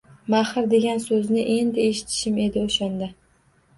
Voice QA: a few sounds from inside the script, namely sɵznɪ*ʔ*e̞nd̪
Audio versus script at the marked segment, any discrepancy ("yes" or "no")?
no